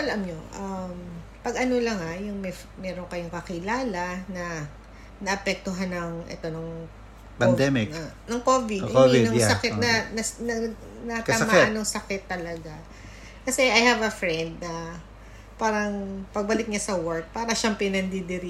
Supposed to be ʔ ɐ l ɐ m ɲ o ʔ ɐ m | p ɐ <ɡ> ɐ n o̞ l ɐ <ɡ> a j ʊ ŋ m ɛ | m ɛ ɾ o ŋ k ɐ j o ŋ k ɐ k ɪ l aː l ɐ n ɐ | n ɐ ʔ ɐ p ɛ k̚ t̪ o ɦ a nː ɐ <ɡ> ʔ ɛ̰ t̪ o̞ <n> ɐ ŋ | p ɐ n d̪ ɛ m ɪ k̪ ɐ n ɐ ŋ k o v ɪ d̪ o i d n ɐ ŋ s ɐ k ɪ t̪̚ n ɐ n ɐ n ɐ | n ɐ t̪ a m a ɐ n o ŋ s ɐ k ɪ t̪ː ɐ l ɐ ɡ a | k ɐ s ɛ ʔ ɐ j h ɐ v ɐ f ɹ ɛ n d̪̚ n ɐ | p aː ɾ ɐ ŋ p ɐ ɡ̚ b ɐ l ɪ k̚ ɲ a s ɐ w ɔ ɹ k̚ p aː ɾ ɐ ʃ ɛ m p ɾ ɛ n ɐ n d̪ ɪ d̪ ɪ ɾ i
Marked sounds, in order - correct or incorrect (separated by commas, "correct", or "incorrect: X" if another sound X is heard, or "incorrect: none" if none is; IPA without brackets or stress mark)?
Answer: correct, incorrect: ŋ, incorrect: ŋ, correct